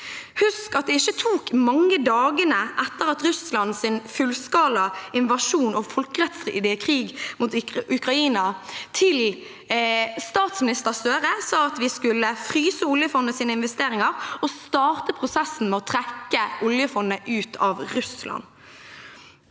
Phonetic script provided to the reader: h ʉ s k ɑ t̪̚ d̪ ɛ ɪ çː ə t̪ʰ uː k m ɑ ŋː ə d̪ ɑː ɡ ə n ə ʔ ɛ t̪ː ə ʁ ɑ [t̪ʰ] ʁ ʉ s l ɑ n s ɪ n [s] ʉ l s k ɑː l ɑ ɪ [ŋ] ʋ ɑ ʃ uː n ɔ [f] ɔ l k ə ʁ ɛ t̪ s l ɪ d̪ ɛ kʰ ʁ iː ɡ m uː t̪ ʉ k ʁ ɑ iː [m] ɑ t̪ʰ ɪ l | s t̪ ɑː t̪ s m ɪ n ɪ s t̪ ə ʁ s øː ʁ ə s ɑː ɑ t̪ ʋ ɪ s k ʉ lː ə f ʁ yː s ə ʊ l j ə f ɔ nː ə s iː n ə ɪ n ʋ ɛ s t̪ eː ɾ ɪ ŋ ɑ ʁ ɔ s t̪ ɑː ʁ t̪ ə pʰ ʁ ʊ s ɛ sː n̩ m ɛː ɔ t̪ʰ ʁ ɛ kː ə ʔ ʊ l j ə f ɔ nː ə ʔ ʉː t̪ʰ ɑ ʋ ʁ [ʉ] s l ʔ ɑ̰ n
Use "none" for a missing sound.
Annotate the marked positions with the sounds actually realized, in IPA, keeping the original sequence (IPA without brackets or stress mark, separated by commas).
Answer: t̪, f, n, f, n, ʉ